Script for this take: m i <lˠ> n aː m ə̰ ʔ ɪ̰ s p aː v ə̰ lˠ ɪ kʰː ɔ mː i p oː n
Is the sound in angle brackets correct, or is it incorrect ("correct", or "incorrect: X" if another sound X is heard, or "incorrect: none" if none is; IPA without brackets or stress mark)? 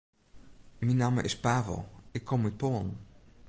incorrect: none